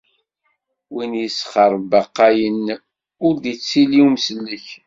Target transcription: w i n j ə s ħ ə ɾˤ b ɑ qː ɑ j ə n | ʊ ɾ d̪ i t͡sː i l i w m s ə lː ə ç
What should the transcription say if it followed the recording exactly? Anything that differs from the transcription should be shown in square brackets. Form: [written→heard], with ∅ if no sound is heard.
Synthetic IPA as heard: w i n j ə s [ħ→χ] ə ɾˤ b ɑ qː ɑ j ə n | ʊ ɾ d̪ i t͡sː i l i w m s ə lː ə ç